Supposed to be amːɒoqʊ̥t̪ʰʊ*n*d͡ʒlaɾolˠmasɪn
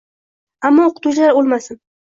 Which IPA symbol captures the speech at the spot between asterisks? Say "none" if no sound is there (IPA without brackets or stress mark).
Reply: none